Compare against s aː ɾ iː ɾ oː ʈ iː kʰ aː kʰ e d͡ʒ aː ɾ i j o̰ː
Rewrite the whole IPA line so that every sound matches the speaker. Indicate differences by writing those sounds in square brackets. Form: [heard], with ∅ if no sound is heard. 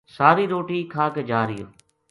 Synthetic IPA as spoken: s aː ɾ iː ɾ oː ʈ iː kʰ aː [k] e d͡ʒ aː ɾ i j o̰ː